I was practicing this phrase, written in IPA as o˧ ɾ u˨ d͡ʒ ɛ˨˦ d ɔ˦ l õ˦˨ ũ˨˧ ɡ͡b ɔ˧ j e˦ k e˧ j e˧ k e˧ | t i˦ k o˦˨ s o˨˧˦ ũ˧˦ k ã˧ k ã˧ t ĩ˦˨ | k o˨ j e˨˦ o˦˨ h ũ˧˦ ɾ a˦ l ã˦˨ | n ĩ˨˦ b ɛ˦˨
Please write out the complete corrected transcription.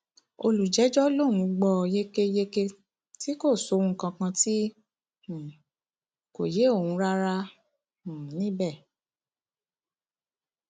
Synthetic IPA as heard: o˧ l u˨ d͡ʒ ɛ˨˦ d͡ʒ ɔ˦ l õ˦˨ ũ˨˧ ɡ͡b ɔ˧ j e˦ k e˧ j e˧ k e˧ | t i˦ k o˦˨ s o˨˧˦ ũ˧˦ k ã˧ k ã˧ t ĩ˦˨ | k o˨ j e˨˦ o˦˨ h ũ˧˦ ɾ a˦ ɾ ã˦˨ | n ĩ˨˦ b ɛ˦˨